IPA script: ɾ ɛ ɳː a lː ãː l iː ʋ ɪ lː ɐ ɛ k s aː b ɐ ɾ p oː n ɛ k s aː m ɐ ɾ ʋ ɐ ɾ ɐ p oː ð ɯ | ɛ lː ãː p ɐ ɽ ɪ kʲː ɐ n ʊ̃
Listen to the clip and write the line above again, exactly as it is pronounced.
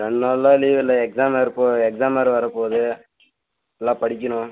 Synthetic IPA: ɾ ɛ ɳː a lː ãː l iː ʋ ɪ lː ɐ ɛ k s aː m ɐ ɾ p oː ɛ k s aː m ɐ ɾ ʋ ɐ ɾ ɐ p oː ð ɯ | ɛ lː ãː p ɐ ɽ ɪ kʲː ɐ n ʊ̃